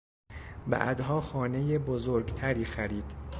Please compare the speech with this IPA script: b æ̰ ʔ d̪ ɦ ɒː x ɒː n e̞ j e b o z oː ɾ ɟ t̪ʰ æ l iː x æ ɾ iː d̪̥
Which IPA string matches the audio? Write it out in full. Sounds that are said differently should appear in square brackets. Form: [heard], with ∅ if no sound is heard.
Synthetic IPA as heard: b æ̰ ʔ d̪ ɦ ɒː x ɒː n e̞ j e b o z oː ɾ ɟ t̪ʰ æ [ɾ] iː x æ ɾ iː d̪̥